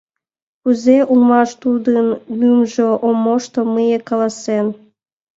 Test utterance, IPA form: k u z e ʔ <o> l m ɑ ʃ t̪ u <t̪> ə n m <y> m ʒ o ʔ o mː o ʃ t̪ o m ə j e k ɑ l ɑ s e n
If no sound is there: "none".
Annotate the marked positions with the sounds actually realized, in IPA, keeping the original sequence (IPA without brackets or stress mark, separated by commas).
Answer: u, d̪, y